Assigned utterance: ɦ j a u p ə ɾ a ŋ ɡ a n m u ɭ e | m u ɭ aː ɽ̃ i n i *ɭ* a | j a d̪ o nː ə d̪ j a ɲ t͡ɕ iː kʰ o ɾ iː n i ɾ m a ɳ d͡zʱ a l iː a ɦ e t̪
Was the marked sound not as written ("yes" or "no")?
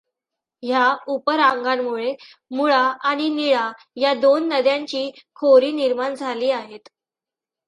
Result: no